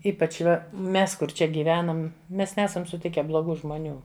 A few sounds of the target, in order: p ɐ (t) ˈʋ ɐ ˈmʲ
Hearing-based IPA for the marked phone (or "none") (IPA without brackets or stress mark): t͡ʃ